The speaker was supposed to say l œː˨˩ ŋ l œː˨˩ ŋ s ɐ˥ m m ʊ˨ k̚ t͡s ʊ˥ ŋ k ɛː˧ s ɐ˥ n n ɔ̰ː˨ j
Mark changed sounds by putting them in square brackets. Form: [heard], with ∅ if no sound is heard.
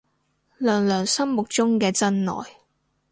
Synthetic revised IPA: l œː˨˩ ŋ l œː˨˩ ŋ s ɐ˥ m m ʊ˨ k̚ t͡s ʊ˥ ŋ k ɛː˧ [t͡s] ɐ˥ n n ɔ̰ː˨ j